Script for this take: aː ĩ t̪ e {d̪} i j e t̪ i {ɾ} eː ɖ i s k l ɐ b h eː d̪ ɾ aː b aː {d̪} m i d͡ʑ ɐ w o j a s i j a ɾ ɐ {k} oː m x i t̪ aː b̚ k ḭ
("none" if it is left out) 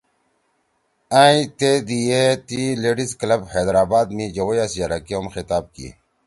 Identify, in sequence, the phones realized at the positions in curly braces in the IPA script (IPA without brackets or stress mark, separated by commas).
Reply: d̪, l, d̪, k